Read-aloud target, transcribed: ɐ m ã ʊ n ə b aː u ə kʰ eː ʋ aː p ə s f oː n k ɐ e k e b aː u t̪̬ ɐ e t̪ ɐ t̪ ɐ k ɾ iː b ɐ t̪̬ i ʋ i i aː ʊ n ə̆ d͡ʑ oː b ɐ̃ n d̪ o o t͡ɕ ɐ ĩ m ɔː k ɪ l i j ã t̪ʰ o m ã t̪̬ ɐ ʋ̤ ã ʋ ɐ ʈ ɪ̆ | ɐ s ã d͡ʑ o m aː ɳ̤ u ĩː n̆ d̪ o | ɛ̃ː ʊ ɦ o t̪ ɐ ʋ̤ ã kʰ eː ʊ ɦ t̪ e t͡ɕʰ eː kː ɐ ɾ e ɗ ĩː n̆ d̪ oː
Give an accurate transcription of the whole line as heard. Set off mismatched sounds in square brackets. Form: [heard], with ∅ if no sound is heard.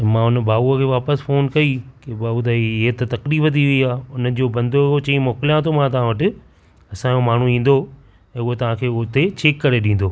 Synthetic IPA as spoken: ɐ m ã ʊ n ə b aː u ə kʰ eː ʋ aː p ə s f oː n k ɐ [i] k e b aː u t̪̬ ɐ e t̪ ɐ t̪ ɐ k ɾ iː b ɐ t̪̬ i ʋ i i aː ʊ n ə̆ d͡ʑ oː b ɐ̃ n d̪ o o t͡ɕ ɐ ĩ m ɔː k ɪ l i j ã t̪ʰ o m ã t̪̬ ɐ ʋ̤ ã ʋ ɐ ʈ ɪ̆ | ɐ s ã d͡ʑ o m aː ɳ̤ u ĩː n̆ d̪ o | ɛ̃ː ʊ ɦ o t̪ ɐ ʋ̤ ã kʰ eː ʊ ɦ t̪ e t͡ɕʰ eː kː ɐ ɾ e ɗ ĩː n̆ d̪ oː